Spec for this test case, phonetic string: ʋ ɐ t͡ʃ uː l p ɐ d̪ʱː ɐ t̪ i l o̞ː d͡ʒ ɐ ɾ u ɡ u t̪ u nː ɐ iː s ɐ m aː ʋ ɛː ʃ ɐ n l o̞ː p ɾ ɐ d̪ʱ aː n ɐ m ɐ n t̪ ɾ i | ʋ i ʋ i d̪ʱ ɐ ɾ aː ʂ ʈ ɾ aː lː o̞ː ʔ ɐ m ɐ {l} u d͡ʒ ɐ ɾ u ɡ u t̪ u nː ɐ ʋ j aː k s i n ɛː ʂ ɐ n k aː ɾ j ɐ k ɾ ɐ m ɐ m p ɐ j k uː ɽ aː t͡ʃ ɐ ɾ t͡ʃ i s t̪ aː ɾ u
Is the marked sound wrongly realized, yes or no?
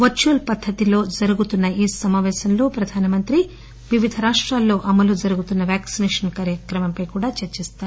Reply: no